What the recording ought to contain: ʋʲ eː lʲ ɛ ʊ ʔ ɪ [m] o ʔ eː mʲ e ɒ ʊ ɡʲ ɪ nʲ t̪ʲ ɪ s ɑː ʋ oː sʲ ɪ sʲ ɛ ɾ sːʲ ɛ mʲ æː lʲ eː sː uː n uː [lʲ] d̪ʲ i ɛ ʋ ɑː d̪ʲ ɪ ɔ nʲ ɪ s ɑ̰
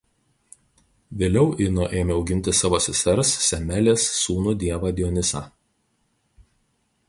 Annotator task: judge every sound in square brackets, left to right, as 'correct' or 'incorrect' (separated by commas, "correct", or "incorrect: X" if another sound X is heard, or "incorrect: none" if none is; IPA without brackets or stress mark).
incorrect: n, incorrect: none